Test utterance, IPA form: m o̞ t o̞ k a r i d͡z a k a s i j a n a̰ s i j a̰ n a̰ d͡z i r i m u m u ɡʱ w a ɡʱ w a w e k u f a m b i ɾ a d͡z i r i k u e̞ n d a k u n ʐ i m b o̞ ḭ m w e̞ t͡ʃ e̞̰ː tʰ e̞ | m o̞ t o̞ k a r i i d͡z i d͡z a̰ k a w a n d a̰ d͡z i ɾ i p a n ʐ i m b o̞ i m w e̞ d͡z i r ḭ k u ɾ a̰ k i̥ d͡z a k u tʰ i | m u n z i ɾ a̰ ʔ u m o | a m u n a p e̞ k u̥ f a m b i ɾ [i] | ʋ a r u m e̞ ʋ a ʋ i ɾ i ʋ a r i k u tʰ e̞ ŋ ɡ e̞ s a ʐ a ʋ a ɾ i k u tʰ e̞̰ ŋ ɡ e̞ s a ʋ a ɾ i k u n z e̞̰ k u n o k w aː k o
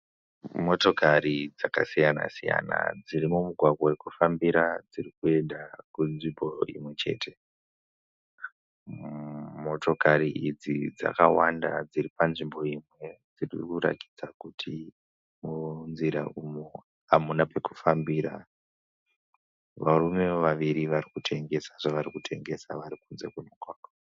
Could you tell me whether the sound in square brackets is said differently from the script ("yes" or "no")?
yes